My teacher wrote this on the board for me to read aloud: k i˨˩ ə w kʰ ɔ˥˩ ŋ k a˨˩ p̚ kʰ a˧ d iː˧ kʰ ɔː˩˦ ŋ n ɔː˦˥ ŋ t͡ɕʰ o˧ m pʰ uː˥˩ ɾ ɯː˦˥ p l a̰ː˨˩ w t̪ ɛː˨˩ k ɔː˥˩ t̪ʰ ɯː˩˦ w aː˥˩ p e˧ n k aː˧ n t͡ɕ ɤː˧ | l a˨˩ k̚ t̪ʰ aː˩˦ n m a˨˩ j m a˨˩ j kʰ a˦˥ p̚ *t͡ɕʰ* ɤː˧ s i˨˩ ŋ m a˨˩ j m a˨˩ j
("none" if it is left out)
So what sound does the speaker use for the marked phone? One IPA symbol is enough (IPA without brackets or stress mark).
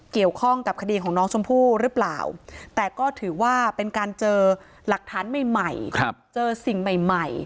t͡ɕ